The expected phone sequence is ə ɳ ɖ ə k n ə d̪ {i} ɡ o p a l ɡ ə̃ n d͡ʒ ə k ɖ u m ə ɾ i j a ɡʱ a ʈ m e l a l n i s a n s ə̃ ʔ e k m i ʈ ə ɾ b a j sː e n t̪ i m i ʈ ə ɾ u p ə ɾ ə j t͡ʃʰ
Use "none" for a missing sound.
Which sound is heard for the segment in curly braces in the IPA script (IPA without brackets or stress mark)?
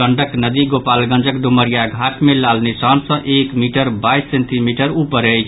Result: i